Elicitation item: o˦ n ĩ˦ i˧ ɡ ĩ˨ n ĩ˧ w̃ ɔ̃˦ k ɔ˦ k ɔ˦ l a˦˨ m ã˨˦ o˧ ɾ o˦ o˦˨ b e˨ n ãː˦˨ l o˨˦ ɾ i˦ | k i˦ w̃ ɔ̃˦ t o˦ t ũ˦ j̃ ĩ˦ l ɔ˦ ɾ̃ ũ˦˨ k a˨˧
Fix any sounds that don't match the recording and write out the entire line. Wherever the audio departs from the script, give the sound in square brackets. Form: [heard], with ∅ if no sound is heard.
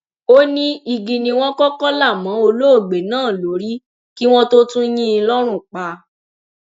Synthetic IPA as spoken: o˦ n ĩ˦ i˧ ɡ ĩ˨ n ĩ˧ w̃ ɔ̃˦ k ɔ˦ k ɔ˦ l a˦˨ m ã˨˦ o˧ [l] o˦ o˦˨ [ɡ͡b] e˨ n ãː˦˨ l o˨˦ ɾ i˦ | k i˦ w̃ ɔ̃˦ t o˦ t ũ˦ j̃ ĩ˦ l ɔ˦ ɾ̃ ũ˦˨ [k͡p] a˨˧